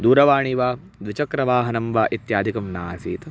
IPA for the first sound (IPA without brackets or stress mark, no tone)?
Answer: d̪